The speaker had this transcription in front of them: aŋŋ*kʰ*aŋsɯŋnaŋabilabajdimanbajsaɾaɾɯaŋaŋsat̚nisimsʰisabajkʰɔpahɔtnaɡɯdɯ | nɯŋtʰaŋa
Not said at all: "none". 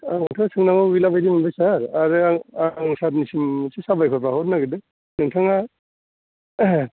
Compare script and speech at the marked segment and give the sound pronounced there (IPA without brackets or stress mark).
tʰ